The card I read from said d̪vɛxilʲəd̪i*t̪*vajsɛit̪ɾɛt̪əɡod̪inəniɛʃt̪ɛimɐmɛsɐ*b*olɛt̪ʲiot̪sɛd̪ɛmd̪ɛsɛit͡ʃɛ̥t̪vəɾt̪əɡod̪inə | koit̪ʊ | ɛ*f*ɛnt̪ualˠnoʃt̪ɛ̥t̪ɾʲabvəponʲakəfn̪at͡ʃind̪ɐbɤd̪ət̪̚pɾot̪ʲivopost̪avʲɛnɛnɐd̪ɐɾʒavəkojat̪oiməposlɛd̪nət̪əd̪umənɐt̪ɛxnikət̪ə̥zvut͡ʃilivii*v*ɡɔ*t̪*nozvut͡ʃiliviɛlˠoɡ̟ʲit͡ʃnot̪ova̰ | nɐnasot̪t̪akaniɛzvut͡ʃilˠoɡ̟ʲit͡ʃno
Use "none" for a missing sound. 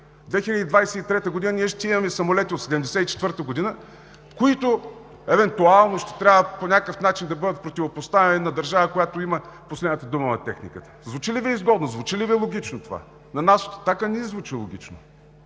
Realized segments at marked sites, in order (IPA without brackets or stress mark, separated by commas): d̪, m, v, z, d̪